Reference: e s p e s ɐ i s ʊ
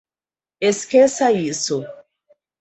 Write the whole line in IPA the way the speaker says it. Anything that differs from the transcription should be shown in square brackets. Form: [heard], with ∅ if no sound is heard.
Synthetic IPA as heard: e s [k] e s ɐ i s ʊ